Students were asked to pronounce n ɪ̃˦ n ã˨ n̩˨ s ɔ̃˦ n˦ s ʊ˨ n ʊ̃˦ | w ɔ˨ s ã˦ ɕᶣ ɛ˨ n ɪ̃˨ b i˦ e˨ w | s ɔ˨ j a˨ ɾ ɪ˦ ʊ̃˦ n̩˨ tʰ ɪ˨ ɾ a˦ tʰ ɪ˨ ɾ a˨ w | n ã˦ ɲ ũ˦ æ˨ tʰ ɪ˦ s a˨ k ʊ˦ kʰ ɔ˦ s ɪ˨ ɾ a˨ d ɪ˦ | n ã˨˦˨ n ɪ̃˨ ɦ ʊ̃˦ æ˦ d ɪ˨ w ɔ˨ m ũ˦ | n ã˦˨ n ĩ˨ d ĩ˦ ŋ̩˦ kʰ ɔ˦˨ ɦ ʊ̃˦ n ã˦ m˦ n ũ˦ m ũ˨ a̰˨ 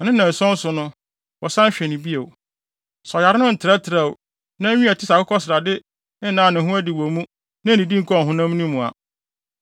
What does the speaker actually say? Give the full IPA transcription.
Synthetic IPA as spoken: n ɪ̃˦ n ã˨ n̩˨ s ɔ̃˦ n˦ s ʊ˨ n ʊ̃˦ | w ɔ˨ s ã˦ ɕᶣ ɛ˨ n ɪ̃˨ b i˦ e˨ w | s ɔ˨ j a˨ ɾ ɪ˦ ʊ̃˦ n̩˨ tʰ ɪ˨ ɾ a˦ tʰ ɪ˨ ɾ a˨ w | n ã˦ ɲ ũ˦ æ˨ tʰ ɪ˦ s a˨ k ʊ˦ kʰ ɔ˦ s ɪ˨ ɾ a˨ d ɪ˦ | n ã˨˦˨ n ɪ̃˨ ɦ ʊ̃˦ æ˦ d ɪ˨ w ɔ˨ m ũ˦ | n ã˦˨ n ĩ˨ d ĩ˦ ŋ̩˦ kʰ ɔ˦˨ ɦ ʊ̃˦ n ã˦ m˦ n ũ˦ m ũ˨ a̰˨